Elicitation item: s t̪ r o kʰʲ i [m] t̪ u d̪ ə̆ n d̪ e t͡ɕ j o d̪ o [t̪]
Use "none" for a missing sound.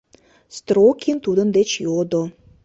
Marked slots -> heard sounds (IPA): n, none

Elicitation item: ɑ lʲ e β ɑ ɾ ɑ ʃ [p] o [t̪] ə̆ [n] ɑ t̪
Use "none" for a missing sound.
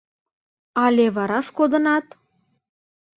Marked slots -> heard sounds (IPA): k, d̪, n

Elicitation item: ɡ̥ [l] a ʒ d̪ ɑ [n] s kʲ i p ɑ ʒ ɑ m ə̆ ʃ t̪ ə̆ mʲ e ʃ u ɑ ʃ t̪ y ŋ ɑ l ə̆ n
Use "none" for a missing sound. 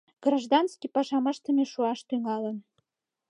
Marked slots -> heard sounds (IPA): r, n

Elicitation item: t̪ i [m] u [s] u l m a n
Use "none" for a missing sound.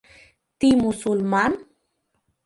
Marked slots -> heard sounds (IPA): m, s

